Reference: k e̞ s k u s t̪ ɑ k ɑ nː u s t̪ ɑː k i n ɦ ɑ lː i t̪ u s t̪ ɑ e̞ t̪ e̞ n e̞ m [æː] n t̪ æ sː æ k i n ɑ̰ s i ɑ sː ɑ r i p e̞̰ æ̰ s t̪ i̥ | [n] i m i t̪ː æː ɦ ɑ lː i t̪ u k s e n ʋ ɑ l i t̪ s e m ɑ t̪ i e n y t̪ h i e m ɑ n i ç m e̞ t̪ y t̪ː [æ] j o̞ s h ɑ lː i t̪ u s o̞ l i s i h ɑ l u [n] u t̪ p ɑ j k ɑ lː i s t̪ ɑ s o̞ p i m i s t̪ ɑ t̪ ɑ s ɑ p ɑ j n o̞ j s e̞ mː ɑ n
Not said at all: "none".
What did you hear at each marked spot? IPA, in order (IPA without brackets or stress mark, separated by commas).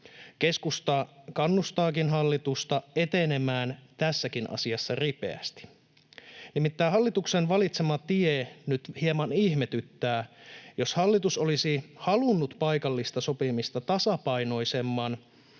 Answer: æː, n, æː, nː